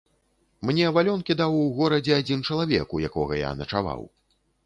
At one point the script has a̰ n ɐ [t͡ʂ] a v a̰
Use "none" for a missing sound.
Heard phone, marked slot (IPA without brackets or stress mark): t͡ʂ